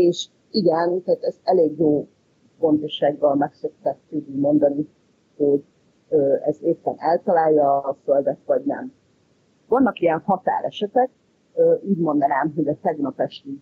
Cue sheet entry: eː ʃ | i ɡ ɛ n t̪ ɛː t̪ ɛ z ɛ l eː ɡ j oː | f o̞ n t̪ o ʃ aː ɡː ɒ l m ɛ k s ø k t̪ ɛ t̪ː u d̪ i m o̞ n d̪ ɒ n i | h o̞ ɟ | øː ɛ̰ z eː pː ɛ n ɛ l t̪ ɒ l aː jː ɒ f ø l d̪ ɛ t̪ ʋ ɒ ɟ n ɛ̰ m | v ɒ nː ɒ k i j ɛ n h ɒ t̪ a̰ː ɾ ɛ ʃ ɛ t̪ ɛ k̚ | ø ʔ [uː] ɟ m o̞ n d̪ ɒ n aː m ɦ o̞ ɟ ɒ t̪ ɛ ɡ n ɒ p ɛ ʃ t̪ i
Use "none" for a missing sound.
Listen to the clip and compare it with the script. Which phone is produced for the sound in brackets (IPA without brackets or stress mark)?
uː